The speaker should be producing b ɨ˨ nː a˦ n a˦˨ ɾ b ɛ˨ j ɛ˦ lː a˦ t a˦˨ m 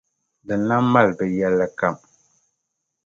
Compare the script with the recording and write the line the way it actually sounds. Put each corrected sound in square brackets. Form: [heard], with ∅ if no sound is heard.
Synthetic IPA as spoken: [d] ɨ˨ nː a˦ [m] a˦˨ [l] b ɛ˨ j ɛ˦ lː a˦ [k] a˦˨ m